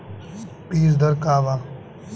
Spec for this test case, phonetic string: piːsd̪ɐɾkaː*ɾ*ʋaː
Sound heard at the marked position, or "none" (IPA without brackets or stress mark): none